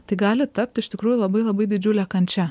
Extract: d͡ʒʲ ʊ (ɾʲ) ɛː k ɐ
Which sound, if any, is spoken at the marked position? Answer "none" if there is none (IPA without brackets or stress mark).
lʲ